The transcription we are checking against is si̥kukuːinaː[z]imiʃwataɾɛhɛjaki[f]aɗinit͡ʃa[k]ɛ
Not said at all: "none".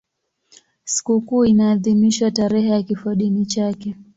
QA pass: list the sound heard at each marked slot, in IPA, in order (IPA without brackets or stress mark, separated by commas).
ð, f, k